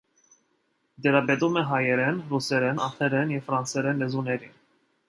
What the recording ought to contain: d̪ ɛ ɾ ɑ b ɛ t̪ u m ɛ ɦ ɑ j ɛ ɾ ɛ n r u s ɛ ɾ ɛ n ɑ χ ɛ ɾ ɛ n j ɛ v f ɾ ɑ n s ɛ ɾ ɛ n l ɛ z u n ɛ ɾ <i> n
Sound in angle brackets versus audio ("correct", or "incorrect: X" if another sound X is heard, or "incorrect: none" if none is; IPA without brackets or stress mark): correct